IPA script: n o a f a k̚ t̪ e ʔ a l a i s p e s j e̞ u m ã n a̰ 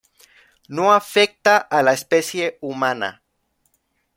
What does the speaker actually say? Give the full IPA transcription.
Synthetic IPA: n o a f e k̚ t̪ a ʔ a l a e s p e s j e̞ u m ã n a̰